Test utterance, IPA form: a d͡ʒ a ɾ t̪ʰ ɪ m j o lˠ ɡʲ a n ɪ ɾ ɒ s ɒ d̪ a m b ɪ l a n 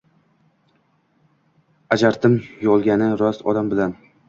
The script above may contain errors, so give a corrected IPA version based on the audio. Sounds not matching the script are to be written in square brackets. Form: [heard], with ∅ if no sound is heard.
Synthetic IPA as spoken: a d͡ʒ a ɾ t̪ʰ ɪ m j [ɒ] lˠ ɡʲ a n ɪ ɾ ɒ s ɒ d̪ a m b ɪ l a n